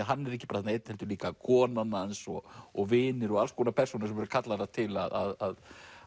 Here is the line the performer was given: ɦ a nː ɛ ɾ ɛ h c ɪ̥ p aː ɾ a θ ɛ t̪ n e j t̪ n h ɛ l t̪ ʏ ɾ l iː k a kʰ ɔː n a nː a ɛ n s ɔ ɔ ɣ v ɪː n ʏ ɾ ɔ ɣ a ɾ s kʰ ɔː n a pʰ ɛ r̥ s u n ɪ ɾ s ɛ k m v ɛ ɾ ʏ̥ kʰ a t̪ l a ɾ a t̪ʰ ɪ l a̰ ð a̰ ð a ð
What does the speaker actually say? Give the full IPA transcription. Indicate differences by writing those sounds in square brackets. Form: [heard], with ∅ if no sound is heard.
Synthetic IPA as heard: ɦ a nː ɛ ɾ ɛ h c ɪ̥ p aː ɾ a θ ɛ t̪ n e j t̪ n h ɛ l t̪ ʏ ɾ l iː k a kʰ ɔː n a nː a ɛ n s ɔ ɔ ɣ v ɪː n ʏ ɾ ɔ ɣ a [l] s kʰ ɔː n a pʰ ɛ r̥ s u n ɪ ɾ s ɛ [∅] m v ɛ ɾ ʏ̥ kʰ a t̪ l a ɾ a t̪ʰ ɪ l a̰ ð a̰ ð a ð